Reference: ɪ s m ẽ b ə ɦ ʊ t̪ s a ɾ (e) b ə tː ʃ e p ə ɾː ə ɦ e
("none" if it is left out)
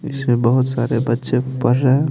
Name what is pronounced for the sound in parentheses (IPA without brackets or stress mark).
e